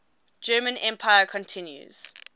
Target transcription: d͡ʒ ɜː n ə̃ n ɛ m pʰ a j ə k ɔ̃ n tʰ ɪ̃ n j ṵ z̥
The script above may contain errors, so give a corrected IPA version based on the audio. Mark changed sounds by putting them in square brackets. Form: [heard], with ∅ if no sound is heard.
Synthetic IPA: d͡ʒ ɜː [m] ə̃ n [ɛ̃] m pʰ a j ə [kʰ] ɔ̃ n tʰ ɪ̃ n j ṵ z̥